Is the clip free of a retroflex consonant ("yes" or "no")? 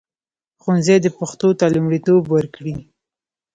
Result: no